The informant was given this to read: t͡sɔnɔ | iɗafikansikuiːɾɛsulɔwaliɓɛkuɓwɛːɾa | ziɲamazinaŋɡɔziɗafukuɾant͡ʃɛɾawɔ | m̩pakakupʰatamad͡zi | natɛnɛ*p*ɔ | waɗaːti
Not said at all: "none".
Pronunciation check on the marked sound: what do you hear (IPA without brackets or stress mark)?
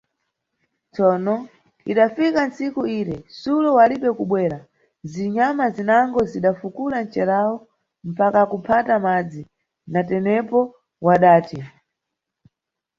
p